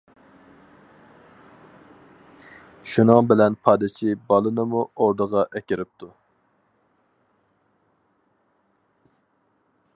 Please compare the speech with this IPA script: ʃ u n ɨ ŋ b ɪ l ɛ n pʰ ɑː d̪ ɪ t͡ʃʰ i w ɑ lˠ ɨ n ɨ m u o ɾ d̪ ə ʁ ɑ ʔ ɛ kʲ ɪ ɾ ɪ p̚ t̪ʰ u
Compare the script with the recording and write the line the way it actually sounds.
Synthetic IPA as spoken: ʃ u n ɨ ŋ b ɪ l ɛ n pʰ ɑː d̪ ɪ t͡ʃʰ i b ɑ lˠ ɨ n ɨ m u o ɾ d̪ ə ʁ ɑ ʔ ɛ kʲ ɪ ɾ ɪ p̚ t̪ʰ u